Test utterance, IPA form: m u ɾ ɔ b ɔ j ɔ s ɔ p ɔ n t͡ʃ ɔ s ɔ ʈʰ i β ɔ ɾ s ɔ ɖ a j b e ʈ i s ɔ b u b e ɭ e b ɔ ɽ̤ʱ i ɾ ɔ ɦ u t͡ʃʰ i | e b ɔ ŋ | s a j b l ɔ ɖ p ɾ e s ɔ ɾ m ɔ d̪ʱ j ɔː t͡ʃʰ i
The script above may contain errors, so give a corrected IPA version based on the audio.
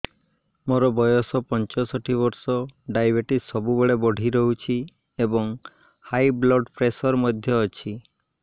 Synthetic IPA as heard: m o ɾ ɔ b ɔ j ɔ s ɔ p ɔ n t͡ʃ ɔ s ɔ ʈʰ i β ɔ ɾ s ɔ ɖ a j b e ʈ i s ɔ b u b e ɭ e b ɔ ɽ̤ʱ i ɾ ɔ ɦ u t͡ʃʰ i | e b ɔ ŋ | h a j b l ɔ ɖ p ɾ e s ɔ ɾ m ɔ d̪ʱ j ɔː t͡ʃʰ i